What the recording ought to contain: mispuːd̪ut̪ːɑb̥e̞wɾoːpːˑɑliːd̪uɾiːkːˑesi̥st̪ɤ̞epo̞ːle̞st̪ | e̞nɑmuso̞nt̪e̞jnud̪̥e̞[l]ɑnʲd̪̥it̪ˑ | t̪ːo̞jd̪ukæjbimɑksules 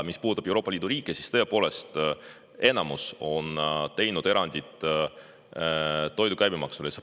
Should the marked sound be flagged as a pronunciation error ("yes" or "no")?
yes